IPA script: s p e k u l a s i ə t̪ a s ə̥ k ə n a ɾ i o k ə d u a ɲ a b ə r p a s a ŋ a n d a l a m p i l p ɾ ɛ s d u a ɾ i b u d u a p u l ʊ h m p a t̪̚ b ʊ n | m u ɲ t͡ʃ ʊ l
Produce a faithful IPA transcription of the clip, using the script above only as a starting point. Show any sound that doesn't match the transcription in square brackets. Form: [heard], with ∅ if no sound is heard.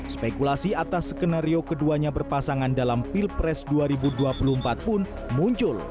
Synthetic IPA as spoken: s p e k u l a s i [a] t̪ a s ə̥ k ə n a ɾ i o k ə d u a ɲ a b ə r p a s a ŋ a n d a l a m p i l p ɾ ɛ s d u a ɾ i b u d u a p u l [u] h m p a t̪̚ [p] ʊ n | m u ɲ t͡ʃ ʊ l